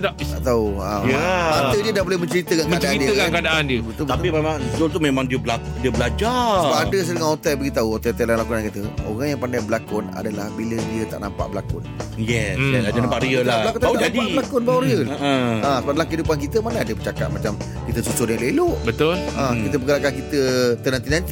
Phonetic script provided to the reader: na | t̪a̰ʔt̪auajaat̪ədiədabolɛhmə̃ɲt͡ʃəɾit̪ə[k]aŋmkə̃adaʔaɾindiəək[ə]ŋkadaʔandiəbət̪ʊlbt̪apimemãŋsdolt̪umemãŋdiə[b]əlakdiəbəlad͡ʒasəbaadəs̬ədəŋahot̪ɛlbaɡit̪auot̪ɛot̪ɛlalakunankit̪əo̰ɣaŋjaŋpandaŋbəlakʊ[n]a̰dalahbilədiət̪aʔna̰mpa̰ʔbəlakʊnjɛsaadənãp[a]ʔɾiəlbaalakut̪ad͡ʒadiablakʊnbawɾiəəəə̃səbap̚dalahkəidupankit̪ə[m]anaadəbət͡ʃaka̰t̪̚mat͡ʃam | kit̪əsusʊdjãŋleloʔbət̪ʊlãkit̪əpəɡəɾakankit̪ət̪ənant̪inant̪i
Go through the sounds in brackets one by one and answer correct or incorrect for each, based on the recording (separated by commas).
correct, incorrect, correct, correct, correct, correct